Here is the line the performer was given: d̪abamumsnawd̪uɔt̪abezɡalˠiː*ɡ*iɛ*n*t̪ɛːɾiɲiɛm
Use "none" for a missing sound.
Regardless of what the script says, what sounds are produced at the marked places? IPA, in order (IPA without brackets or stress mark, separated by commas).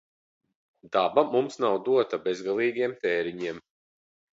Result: ɡ, m